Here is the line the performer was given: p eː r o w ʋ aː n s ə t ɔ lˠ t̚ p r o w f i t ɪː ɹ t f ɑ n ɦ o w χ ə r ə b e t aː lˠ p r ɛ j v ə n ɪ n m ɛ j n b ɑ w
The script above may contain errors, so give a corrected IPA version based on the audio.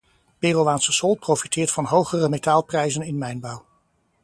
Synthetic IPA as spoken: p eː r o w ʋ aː n s ə s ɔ lˠ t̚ p r o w f i t ɪː ɹ t f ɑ n ɦ o w χ ə r ə m e t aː lˠ p r ɛ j z ə n ɪ n m ɛ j n b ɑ w